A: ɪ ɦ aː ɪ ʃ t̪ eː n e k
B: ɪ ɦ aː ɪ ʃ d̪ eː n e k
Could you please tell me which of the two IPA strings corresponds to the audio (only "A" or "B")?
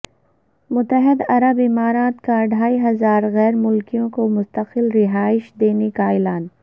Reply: B